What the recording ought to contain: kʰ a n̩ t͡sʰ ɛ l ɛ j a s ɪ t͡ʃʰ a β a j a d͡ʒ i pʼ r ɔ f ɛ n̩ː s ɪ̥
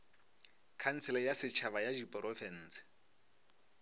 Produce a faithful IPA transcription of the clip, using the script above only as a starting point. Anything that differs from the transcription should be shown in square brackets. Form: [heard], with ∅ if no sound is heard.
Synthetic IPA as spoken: kʰ a n̩ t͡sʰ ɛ l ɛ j a s ɪ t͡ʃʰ a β a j a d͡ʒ i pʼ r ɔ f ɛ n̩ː s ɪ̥